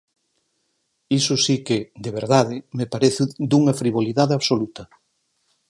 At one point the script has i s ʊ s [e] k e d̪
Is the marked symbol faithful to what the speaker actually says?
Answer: no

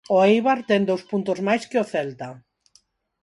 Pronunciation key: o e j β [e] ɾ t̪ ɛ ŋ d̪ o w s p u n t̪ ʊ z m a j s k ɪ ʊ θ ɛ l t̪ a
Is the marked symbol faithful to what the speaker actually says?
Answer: no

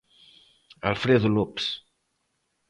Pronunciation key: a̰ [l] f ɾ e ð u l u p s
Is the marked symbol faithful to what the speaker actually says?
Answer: yes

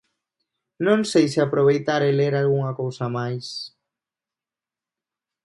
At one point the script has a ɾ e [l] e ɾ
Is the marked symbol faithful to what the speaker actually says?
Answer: yes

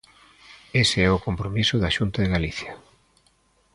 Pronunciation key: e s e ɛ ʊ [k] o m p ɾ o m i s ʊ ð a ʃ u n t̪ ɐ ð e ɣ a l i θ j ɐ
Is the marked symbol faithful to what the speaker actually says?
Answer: yes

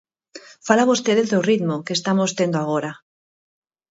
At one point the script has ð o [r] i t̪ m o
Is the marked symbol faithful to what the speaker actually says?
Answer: yes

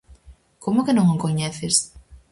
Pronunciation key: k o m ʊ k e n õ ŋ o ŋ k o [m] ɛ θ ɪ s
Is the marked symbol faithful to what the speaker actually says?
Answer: no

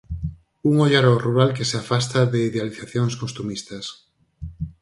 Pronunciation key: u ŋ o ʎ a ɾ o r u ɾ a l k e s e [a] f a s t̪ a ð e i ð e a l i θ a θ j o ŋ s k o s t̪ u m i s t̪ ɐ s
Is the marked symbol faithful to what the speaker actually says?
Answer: yes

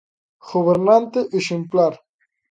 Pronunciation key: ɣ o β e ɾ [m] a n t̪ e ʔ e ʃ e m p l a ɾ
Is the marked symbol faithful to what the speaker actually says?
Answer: no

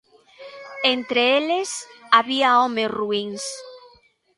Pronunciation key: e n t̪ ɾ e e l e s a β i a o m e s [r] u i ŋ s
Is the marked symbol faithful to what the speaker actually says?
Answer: yes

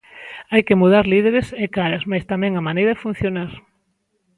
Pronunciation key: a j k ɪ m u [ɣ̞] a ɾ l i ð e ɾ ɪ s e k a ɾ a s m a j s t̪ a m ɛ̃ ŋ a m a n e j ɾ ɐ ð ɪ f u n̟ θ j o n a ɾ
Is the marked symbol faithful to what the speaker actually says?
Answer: no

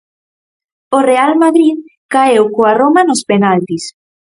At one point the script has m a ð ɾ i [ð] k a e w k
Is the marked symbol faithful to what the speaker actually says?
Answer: yes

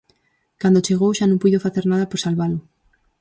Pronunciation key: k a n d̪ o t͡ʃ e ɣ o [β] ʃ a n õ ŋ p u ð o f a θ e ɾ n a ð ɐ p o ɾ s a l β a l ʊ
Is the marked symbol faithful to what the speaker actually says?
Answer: no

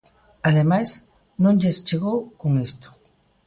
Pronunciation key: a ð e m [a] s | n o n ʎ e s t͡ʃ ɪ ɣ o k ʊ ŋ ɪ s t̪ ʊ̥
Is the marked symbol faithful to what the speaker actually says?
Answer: yes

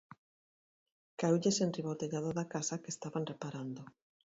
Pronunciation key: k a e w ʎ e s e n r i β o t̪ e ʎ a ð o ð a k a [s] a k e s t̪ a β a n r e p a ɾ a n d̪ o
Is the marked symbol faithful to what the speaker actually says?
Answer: yes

